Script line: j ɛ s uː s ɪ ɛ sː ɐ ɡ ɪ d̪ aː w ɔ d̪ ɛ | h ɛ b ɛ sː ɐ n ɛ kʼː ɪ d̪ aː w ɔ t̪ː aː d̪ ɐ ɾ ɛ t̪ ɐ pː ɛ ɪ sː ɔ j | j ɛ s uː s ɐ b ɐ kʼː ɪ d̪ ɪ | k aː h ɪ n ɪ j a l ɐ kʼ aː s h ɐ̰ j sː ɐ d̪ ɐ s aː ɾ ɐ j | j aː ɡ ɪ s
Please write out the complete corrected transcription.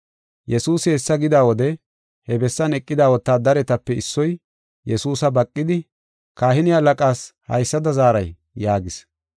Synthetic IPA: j ɛ s uː s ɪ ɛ sː ɐ ɡ ɪ d̪ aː w ɔ d̪ ɛ | h ɛ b ɛ sː ɐ n ɛ kʼː ɪ d̪ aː w ɔ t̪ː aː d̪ ɐ ɾ ɛ t̪ ɐ pː ɛ ɪ sː ɔ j | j ɛ s uː s ɐ b ɐ kʼː ɪ d̪ ɪ | k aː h ɪ n ɪ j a l ɐ kʼ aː s h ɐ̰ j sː ɐ d̪ ɐ z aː ɾ ɐ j | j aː ɡ ɪ s